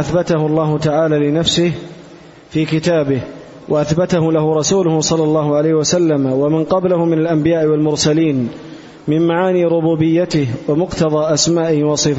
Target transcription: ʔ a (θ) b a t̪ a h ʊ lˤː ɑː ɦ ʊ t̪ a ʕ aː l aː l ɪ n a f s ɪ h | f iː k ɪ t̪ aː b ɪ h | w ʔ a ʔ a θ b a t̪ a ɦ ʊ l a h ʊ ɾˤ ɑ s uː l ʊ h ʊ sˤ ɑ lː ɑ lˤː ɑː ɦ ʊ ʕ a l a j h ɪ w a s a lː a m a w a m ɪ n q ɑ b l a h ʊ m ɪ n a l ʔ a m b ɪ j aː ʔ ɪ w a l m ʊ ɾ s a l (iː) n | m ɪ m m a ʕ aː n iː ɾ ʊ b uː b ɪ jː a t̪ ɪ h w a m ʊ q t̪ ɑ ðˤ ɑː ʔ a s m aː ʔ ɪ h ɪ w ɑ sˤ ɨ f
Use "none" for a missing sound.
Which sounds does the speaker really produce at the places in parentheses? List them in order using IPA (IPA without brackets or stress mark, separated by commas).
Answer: θ, iː